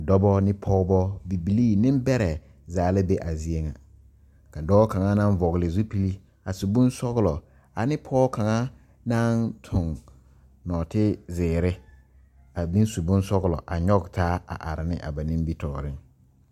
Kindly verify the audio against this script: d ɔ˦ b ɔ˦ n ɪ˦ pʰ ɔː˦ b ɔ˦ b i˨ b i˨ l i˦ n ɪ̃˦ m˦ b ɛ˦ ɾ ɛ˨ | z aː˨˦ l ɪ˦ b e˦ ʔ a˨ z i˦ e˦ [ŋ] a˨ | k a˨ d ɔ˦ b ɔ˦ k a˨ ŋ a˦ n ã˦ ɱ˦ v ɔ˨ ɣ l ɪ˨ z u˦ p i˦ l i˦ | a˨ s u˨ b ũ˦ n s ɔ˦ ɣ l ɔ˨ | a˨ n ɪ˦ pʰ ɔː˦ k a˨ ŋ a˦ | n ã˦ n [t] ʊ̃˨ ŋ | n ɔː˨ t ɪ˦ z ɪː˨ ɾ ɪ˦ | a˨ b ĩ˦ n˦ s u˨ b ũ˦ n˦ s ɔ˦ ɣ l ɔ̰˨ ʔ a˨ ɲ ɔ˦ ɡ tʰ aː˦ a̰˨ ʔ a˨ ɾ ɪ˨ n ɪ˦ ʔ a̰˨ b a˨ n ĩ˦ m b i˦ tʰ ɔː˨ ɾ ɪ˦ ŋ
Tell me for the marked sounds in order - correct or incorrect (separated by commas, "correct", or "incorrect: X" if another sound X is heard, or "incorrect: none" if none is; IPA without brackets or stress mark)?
correct, incorrect: tʰ